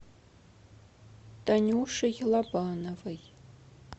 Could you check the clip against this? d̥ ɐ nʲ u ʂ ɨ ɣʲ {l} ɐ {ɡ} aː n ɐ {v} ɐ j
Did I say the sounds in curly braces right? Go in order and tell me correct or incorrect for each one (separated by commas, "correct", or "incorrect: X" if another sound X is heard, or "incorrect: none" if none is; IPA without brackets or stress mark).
correct, incorrect: b, correct